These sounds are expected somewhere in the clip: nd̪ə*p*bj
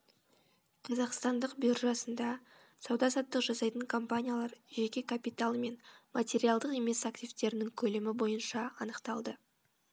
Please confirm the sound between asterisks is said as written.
no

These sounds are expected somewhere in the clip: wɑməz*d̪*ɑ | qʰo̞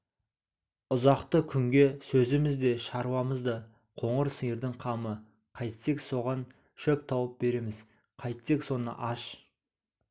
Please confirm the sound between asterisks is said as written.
yes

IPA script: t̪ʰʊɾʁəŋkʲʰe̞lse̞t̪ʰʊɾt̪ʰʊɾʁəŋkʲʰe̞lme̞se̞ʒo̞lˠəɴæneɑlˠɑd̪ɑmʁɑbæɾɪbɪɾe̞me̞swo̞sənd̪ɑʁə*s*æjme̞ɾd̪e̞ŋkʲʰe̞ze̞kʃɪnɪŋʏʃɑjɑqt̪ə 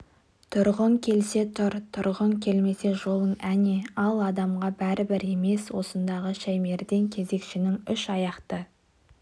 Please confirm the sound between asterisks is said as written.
no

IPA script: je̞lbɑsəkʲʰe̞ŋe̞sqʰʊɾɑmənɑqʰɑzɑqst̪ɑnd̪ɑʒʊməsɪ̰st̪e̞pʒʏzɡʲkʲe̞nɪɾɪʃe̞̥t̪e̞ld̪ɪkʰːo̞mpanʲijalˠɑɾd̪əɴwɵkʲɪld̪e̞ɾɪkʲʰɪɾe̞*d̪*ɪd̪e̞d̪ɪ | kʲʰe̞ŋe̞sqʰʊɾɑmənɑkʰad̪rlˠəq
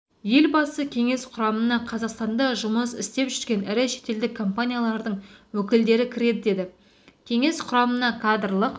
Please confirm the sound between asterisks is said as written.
yes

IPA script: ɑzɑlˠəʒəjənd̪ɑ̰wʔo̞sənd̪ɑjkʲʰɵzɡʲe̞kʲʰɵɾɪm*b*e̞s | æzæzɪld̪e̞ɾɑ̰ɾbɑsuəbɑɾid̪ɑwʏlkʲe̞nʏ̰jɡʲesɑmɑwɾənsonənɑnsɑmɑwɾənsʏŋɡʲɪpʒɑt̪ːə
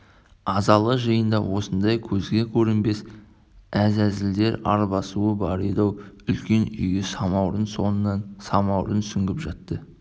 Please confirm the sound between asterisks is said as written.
yes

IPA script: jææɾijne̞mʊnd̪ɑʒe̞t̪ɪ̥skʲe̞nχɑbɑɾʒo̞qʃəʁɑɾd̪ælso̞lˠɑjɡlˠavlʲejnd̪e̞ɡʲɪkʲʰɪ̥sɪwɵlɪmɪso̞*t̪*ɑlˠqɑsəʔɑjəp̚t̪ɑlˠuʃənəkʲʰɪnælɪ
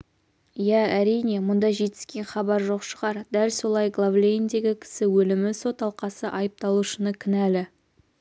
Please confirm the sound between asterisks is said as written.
yes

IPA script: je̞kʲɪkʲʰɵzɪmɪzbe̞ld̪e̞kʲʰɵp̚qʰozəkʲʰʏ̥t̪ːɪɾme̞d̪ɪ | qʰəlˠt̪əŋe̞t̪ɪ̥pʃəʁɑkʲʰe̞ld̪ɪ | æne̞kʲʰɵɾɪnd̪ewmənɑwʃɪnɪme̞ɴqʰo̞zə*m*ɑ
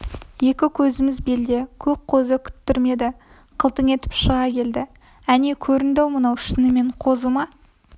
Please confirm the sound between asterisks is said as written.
yes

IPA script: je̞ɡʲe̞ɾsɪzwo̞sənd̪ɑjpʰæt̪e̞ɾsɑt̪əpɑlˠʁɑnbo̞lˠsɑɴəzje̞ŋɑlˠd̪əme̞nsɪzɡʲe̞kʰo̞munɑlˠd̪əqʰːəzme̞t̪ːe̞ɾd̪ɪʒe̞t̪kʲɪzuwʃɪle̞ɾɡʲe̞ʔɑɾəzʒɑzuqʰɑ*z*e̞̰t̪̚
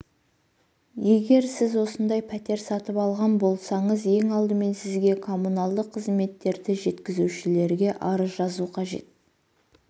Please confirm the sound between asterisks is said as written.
no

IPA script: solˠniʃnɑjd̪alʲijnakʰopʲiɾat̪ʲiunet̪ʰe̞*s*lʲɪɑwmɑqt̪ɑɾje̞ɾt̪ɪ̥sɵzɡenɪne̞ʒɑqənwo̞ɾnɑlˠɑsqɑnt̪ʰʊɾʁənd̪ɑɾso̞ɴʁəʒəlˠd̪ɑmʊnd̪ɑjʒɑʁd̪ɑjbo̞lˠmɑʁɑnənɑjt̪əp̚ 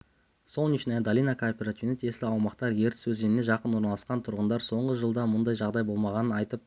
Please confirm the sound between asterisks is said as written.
yes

